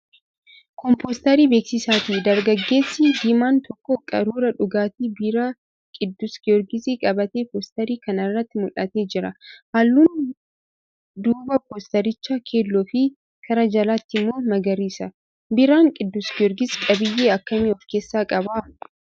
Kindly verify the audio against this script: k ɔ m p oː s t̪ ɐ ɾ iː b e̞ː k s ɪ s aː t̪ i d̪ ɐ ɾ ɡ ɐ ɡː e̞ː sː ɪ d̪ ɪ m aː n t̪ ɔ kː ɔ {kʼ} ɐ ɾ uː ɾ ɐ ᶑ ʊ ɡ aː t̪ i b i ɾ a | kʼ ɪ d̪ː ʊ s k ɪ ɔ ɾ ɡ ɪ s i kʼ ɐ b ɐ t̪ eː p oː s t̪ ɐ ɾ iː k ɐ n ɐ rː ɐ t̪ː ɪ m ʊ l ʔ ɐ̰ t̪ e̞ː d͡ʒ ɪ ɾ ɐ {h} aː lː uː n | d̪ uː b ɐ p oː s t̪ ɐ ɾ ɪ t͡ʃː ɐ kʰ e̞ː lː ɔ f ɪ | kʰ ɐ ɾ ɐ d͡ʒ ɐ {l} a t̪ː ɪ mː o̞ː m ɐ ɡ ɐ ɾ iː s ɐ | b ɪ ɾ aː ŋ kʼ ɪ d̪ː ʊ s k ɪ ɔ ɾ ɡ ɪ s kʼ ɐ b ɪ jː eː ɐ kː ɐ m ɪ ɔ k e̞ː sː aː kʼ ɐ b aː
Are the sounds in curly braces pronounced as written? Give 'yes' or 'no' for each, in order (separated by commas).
yes, yes, yes